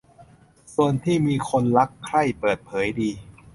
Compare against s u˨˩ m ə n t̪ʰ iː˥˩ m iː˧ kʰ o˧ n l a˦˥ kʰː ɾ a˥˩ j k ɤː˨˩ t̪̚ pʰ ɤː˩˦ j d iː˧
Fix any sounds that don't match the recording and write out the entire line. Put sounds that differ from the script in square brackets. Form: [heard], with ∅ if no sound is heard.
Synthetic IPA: s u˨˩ [∅] ə n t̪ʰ iː˥˩ m iː˧ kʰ o˧ n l a˦˥ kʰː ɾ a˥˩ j [p] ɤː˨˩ t̪̚ pʰ ɤː˩˦ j d iː˧